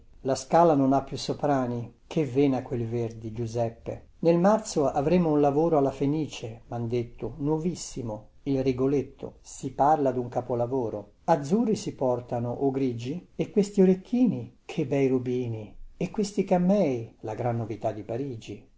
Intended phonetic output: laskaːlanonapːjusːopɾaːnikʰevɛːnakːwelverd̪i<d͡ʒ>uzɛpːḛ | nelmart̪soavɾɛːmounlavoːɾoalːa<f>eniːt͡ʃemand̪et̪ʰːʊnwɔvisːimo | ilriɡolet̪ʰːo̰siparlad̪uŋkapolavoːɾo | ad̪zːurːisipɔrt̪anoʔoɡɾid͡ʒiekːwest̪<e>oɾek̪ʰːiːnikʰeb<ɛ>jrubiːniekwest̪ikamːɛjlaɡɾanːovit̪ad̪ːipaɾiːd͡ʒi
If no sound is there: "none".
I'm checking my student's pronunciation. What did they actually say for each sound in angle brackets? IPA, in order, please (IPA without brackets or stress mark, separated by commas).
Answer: d͡ʒ, f, i, ɛ